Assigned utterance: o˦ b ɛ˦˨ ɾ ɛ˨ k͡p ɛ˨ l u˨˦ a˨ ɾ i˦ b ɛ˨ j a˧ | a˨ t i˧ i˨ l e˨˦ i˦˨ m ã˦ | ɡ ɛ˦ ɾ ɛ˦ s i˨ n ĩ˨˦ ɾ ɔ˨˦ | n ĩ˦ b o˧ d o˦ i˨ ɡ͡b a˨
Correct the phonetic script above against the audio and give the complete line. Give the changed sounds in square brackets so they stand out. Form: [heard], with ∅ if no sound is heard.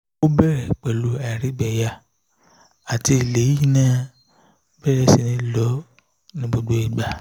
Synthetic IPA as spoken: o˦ b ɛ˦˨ ɾ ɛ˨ k͡p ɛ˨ l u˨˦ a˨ ɾ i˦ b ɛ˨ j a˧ | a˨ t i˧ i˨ l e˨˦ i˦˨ [n] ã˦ | [b] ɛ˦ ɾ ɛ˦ s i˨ n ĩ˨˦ [l] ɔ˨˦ | n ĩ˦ b o˧ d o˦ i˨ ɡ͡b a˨